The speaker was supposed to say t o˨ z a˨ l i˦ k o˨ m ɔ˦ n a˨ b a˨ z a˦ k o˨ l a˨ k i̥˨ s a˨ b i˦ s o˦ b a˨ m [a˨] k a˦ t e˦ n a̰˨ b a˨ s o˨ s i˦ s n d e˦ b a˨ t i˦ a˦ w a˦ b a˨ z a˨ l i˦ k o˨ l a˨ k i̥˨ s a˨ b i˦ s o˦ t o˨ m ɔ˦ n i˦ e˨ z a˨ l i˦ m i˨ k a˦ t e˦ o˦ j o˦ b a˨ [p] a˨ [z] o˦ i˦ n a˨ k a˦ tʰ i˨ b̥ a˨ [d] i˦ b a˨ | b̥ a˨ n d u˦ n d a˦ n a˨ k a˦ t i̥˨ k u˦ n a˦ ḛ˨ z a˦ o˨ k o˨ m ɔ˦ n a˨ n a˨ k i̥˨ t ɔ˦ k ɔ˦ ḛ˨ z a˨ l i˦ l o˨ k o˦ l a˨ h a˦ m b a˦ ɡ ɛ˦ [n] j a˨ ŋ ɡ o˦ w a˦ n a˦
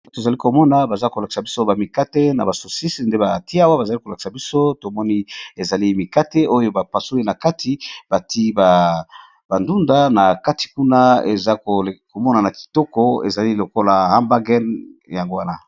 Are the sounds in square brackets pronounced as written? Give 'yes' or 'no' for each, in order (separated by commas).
no, yes, no, no, yes